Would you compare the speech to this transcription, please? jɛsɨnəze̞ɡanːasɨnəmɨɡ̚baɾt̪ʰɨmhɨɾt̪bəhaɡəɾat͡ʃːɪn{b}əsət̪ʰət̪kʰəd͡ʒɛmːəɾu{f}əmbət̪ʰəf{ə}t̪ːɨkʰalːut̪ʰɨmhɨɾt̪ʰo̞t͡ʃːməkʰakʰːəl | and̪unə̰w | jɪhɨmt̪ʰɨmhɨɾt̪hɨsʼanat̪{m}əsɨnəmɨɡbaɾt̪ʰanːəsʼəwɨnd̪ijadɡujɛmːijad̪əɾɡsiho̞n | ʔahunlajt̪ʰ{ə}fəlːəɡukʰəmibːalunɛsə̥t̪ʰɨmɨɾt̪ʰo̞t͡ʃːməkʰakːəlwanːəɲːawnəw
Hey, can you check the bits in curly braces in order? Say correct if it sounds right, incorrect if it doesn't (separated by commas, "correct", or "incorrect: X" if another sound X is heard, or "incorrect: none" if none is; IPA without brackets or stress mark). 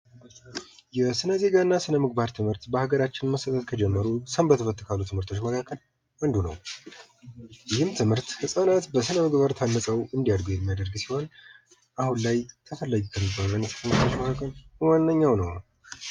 incorrect: m, incorrect: s, correct, incorrect: b, correct